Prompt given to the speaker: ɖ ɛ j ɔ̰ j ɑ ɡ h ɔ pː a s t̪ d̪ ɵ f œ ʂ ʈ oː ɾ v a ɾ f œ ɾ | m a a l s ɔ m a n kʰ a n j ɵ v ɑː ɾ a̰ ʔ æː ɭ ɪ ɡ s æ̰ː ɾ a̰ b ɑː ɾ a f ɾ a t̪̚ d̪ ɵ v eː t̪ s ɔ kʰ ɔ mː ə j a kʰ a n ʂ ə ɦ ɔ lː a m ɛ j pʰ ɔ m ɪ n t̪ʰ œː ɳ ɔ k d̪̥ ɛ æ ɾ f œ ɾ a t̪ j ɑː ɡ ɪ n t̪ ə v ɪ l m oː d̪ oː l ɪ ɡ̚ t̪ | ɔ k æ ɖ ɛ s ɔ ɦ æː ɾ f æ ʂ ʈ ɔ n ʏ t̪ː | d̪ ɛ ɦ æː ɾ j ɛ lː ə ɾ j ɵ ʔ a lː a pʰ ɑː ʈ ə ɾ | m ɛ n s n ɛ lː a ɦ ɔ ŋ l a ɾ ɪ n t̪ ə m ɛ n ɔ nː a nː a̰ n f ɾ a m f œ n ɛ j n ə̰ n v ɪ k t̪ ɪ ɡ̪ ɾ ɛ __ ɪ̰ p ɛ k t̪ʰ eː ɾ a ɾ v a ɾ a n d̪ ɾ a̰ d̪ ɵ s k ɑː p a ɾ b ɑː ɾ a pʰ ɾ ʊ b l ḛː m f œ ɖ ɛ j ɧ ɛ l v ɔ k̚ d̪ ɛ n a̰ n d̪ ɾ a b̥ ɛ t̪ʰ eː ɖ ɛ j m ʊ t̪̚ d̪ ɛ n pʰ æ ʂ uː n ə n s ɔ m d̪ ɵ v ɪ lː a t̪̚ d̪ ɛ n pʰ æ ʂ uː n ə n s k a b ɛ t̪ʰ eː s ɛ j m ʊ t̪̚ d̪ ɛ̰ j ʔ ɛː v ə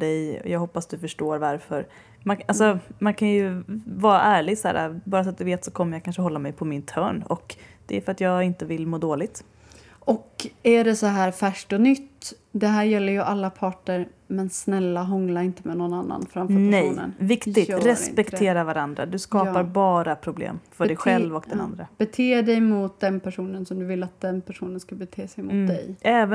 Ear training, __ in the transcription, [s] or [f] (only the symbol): s